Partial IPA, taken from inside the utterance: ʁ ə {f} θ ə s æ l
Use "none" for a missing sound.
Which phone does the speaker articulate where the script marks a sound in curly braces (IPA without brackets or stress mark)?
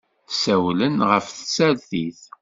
f